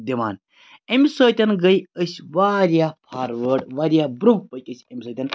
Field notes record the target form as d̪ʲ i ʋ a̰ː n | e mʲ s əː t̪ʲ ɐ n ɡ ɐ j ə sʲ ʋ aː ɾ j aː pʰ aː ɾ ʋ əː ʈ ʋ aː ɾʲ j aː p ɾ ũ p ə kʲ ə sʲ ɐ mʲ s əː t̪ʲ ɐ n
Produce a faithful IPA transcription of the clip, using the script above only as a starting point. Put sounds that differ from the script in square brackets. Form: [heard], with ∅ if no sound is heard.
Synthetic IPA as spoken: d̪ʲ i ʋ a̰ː n | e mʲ s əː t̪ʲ ɐ n ɡ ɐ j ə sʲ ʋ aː ɾ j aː pʰ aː ɾ ʋ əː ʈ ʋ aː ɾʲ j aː [b] ɾ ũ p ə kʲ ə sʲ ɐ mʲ s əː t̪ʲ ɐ n